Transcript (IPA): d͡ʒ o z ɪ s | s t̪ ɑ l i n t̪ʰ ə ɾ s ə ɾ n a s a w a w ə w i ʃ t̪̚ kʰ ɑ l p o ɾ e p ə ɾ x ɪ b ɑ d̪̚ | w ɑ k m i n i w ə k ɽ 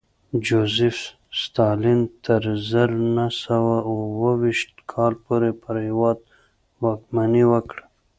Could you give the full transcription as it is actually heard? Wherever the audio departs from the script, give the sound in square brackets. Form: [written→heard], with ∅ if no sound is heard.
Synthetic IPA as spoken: d͡ʒ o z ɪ [s→f] | s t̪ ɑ l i n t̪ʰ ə ɾ [s→z] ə ɾ n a s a w a w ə w i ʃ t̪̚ kʰ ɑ l p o ɾ e p ə ɾ [x→h] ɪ [b→w] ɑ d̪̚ | w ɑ k m [i→a] n i w ə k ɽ